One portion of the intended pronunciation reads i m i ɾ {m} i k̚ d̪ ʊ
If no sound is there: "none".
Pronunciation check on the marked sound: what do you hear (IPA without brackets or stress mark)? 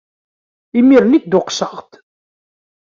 n